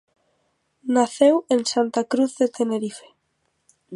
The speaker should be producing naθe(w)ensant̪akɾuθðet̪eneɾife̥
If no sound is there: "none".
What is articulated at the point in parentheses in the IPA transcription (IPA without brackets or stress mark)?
w